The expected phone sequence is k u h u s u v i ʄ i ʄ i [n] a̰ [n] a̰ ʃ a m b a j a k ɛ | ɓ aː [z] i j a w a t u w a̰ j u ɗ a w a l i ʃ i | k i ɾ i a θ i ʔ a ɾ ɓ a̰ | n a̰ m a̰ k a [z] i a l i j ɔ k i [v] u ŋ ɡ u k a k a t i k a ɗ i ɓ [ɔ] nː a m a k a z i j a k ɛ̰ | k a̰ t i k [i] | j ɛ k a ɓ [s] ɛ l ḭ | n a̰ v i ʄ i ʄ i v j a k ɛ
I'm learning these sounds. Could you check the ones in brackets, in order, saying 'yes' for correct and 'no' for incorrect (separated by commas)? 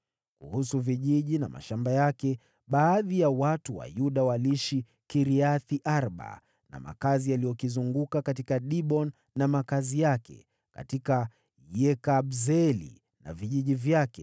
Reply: yes, no, no, yes, no, yes, no, no